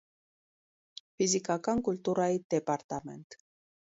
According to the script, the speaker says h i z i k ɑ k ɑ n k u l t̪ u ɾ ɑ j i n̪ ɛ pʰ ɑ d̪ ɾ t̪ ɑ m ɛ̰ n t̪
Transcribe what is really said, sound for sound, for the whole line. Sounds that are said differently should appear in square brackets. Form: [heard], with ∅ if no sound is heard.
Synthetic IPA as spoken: [f] i z i k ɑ k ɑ n k u l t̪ u ɾ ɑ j i [d̪] ɛ [p] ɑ [∅] ɾ t̪ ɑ m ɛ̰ n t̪